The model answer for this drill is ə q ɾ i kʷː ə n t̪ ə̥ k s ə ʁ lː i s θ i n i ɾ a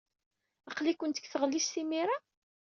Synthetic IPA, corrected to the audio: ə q l i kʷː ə n t̪ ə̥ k θ ə ʁ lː i s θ i m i ɾ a